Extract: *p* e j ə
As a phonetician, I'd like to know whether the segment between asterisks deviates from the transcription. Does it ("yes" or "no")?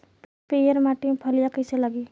no